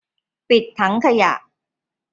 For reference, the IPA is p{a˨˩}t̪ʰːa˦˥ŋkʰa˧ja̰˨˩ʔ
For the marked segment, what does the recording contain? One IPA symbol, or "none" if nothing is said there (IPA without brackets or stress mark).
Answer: i˨˩